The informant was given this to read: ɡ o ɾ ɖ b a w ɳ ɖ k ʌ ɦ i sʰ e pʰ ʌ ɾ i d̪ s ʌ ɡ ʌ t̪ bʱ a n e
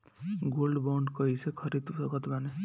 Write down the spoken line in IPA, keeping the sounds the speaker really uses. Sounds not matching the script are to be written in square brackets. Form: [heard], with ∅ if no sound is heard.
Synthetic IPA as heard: ɡ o [l] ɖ b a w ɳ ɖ k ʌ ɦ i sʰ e [kʰ] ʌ ɾ i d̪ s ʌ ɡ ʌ t̪ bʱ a n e